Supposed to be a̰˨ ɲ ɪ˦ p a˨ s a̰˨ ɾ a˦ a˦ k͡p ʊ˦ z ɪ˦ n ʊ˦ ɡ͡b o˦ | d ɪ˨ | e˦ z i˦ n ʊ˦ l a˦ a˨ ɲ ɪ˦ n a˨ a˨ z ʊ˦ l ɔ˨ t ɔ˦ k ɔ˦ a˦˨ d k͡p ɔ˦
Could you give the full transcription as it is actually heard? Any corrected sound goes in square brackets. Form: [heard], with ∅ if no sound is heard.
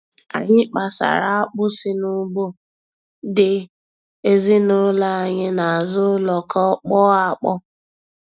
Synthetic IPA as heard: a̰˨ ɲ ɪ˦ [k͡p] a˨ s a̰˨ ɾ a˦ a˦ k͡p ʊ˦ [s] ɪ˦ n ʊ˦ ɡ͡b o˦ | d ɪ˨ | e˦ z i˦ n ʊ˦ l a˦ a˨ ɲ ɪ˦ n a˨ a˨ z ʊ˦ l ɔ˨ [k] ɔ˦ [k͡p] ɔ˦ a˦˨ [∅] k͡p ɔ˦